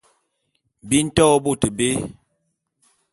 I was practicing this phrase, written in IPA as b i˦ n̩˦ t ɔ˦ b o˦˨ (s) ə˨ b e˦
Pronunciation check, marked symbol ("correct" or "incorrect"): incorrect